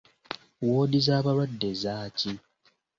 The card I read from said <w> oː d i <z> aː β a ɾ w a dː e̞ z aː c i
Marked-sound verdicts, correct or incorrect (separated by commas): correct, correct